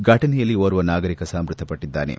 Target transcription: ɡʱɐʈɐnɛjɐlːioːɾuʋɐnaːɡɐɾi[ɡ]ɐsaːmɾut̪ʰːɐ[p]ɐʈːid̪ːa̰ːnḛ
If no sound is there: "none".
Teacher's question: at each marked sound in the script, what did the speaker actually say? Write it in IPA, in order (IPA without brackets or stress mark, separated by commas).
k, p